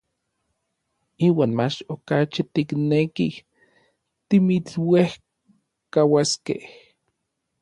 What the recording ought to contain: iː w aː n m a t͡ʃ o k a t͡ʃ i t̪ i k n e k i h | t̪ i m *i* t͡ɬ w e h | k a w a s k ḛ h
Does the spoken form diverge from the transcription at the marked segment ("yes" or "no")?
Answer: no